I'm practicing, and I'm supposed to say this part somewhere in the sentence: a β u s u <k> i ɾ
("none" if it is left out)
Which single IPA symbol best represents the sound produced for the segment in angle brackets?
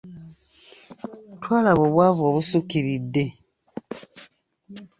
k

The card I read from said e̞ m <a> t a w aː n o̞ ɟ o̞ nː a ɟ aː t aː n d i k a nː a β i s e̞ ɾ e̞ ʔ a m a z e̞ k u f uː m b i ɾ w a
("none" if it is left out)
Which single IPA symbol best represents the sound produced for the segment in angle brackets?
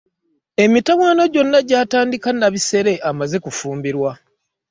i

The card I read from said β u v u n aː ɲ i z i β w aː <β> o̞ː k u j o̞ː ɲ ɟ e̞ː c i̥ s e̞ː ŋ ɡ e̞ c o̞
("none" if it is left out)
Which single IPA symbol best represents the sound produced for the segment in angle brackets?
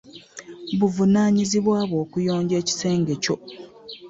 β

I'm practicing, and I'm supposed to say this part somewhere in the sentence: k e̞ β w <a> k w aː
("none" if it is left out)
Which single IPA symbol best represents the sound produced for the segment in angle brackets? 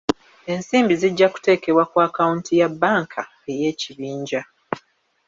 a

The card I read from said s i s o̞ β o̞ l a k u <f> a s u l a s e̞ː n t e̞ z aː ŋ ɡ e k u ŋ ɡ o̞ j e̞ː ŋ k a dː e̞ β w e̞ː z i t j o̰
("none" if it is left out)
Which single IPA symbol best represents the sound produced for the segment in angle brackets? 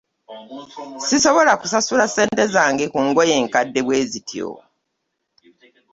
s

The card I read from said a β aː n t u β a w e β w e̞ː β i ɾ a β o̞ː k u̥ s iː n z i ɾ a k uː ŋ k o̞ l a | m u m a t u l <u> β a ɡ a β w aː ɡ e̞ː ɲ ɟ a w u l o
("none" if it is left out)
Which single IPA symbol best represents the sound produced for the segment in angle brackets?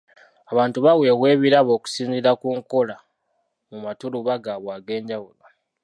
u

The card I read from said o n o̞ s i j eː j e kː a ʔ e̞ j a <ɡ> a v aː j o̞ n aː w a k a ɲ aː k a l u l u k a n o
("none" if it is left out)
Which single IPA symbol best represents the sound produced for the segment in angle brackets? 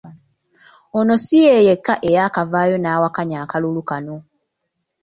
k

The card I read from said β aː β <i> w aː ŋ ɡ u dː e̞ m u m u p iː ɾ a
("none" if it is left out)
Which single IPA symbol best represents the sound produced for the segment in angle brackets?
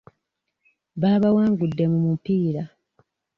a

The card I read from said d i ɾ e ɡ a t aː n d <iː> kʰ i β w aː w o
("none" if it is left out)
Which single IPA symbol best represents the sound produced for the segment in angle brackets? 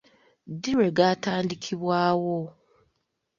i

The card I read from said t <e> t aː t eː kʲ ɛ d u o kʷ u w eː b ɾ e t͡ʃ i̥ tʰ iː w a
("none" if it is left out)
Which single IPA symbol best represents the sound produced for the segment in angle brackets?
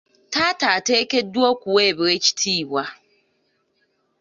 a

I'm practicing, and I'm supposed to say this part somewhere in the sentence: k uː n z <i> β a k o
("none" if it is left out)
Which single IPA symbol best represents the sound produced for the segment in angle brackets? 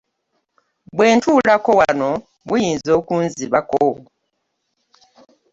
i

